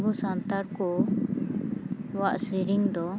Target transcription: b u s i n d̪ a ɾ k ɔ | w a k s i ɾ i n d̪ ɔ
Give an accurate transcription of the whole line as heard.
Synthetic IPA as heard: b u s a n t̪ a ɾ k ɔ | w a ʔ s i ɾ i ŋ d̪ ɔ

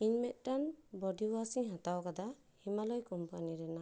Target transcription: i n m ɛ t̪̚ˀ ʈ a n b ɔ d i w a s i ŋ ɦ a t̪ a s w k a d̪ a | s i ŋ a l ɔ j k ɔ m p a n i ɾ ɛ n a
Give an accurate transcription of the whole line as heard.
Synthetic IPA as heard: i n m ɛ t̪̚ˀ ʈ a n b ɔ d i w a s i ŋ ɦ a t̪ a w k a d̪ a | h i m a l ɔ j k ɔ m p a n i ɾ ɛ n a

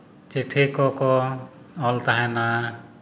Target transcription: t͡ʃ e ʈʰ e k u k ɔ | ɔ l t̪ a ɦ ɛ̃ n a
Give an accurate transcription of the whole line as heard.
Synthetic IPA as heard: t͡ʃ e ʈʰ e k ɔ k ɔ | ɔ l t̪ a ɦ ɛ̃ n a

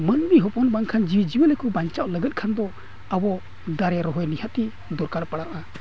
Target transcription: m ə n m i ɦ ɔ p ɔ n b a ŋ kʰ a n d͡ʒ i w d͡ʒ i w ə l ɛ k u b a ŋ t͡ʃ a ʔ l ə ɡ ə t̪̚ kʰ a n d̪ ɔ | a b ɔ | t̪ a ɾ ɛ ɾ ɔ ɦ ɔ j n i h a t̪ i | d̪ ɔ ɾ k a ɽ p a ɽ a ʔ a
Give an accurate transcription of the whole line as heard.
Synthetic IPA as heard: m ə n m i ɦ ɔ p ɔ n b a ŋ kʰ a n d͡ʒ i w d͡ʒ i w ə l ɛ k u b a ɲ t͡ʃ a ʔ l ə ɡ ə t̪̚ kʰ a n d̪ ɔ | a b ɔ | d̪ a ɾ ɛ ɾ ɔ ɦ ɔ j n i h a t̪ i | d̪ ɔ ɾ k a ɽ p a ɽ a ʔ a

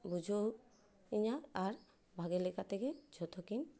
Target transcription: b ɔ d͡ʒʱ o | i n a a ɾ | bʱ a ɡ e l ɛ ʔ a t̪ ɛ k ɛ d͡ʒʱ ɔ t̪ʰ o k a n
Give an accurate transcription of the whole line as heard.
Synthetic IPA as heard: b u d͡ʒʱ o | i ɲ a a ɾ | bʱ a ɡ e l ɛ k a t̪ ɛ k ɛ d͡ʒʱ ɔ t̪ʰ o k i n

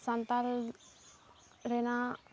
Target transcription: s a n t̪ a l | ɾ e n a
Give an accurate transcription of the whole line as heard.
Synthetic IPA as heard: s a n t̪ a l | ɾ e n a

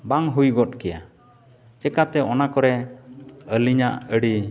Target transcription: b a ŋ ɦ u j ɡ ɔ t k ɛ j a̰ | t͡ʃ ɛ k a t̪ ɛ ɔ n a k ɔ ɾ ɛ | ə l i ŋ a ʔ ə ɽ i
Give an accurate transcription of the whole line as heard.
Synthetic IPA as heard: b a ŋ ɦ u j ɡ ɔ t k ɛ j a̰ | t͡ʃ ɛ k a t̪ ɛ ɔ n a k ɔ ɾ ɛ | ə l i ɲ a ʔ ə ɽ i

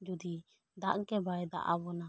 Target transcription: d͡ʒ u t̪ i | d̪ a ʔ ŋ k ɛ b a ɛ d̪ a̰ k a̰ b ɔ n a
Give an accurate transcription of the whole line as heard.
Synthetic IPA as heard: d͡ʒ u d̪ i | d̪ a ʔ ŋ k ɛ b a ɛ d̪ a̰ ʔ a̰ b ɔ n a

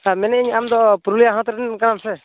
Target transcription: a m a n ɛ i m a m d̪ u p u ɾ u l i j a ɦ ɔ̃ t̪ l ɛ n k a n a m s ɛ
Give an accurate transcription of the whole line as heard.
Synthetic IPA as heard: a m ɛ n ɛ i ɲ a m d̪ ɔ p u ɾ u l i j a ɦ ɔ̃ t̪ ɾ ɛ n k a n a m s ɛ

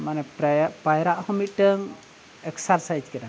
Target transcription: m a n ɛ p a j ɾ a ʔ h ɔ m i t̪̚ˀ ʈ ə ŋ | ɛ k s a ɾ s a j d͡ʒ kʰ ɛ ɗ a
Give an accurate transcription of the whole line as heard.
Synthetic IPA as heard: m a n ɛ p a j ɾ a ʔ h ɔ m i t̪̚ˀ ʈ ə ŋ | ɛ k s a ɾ s a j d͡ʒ k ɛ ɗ a

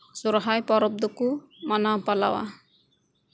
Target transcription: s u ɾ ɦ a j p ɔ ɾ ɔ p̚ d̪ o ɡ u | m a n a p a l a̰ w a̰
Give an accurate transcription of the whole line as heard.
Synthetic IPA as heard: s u ɾ ɦ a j p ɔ ɾ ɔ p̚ d̪ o k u | m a n a p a l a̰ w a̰

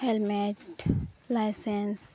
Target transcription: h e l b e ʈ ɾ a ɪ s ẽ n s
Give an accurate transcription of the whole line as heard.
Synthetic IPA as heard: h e l m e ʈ l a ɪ s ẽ n s

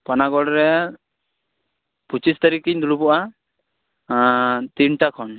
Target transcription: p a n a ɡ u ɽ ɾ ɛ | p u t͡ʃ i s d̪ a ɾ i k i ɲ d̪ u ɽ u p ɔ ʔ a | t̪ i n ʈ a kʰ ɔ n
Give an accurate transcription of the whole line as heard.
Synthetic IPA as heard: p a n a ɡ ɔ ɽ ɾ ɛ | p u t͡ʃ i s t̪ a ɾ i k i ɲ d̪ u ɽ u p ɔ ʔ a | t̪ i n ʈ a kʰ ɔ n

